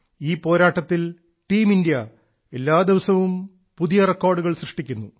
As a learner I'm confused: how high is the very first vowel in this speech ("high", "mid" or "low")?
high